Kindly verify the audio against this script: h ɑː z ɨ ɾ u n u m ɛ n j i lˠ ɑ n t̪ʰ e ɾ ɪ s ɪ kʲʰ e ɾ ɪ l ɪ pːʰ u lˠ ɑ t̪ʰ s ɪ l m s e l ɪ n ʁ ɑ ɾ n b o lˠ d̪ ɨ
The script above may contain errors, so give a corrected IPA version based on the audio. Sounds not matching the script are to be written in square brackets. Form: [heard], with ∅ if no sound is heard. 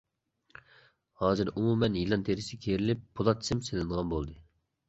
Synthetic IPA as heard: h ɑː z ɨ ɾ u [m] u m ɛ n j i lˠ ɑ n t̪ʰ e ɾ ɪ s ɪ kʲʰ e ɾ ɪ l ɪ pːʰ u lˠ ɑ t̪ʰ s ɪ [∅] m s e l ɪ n ʁ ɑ [∅] n b o lˠ d̪ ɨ